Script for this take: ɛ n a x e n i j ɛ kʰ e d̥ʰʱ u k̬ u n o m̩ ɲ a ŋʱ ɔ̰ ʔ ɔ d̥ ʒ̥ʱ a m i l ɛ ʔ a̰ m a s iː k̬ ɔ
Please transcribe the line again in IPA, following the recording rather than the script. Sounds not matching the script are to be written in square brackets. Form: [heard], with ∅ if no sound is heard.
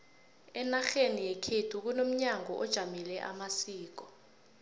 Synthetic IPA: ɛ n a x e n i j ɛ kʰ e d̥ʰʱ u k̬ u n o m̩ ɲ a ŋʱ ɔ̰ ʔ ɔ d̥ ʒ̥ʱ a m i l ɛ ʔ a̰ m a s iː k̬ ɔ